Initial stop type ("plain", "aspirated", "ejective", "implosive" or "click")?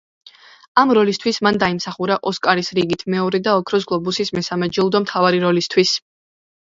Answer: aspirated